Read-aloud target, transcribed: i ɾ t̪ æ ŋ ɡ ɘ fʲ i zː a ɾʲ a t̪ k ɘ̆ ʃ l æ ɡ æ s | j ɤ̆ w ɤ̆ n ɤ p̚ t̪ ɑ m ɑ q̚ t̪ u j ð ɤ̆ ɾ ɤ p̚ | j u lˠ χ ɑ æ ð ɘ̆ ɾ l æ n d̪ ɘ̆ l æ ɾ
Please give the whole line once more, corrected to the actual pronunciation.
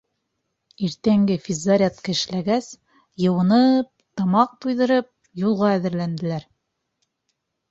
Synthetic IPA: i ɾ t̪ æ ŋ ɡ ɘ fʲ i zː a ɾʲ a t̪ k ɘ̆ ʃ l æ ɡ æ s | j ɤ̆ w ɤ̆ n ɤ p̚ t̪ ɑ m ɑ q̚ t̪ u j ð ɤ̆ ɾ ɤ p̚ | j u lˠ ʁ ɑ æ ð ɘ̆ ɾ l æ n d̪ ɘ̆ l æ ɾ

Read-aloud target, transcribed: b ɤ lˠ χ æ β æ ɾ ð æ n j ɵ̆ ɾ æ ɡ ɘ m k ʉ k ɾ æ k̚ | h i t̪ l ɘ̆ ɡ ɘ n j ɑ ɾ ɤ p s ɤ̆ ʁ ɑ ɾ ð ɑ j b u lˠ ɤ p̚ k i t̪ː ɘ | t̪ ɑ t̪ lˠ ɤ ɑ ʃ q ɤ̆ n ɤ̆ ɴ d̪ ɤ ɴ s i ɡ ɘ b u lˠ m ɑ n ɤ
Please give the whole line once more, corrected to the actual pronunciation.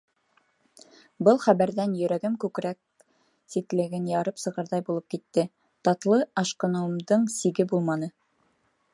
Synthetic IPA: b ɤ lˠ χ æ β æ ɾ ð æ n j ɵ̆ ɾ æ ɡ ɘ m k ʉ k ɾ æ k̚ | s i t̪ l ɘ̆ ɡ ɘ n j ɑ ɾ ɤ p s ɤ̆ ʁ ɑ ɾ ð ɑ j b u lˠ ɤ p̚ k i t̪ː ɘ | t̪ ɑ t̪ lˠ ɤ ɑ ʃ q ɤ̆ n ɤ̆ m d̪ ɤ ɴ s i ɡ ɘ b u lˠ m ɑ n ɤ

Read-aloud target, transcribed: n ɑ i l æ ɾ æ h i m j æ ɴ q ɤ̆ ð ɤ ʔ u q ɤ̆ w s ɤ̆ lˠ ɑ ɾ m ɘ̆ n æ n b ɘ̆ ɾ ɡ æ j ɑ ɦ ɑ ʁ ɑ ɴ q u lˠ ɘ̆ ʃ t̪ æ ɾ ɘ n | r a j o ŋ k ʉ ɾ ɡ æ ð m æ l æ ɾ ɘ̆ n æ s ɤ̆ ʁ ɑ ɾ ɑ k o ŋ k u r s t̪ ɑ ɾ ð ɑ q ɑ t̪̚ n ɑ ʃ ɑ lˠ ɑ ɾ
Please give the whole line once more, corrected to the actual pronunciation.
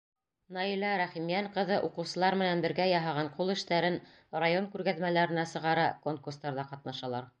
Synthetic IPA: n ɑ i l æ ɾ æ χ i m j æ ɴ q ɤ̆ ð ɤ ʔ u q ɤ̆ w s ɤ̆ lˠ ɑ ɾ m ɘ̆ n æ n b ɘ̆ ɾ ɡ æ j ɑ ɦ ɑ ʁ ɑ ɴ q u lˠ ɘ̆ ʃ t̪ æ ɾ ɘ n | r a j o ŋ k ʉ ɾ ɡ æ ð m æ l æ ɾ ɘ̆ n æ s ɤ̆ ʁ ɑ ɾ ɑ k o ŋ k u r s t̪ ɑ ɾ ð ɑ q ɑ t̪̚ n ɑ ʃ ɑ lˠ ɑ ɾ

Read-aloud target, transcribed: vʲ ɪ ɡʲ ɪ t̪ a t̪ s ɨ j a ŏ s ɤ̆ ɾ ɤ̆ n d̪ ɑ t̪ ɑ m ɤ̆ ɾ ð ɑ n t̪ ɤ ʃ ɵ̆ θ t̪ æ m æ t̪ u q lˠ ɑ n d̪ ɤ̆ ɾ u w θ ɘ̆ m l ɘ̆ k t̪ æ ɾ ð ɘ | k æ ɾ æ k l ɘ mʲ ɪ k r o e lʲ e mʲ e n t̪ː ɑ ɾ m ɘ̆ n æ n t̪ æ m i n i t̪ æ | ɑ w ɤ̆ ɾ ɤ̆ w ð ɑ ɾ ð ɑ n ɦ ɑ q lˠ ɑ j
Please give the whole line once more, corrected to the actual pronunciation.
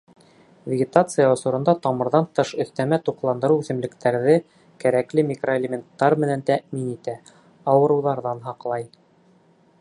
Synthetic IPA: vʲ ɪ ɡʲ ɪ t̪ a t̪ s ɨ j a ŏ s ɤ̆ ɾ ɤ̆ n d̪ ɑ t̪ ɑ m ɤ̆ ɾ ð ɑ n t̪ ɤ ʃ ɵ̆ θ t̪ æ m æ t̪ u q lˠ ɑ n d̪ ɤ̆ ɾ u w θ ɘ̆ m l ɘ̆ k t̪ æ ɾ ð ɘ | k æ ɾ æ k l ɘ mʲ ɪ k r o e lʲ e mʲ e n t̪ː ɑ ɾ m ɘ̆ n æ n t̪ æ m i n i t̪ æ | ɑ w ɤ̆ ɾ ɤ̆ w ð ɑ ɾ ð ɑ n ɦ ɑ q lˠ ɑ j

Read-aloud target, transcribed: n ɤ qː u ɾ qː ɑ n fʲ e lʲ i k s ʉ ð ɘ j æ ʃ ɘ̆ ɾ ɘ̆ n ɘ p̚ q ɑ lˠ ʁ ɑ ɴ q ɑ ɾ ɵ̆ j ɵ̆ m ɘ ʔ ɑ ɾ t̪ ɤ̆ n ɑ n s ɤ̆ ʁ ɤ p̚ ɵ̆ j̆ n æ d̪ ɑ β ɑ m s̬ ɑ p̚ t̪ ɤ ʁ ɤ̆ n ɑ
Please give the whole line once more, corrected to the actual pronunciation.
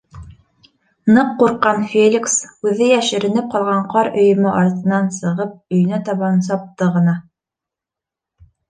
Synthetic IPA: n ɤ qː u ɾ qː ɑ n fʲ e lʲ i k s ʉ ð ɘ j æ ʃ ɘ̆ ɾ ɘ̆ n ɘ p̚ q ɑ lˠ ʁ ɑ ɴ q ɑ ɾ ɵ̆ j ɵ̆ m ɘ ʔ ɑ ɾ t̪ ɤ̆ n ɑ n s ɤ̆ ʁ ɤ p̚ ɵ̆ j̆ n æ t̪ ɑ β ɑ n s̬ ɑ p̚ t̪ ɤ ʁ ɤ̆ n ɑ

